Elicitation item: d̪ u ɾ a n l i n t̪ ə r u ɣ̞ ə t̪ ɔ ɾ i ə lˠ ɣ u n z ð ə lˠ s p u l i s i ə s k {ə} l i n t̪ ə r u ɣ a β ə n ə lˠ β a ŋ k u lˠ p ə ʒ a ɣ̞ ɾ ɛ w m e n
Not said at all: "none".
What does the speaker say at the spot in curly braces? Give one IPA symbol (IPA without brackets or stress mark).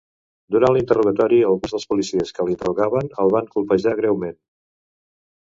ə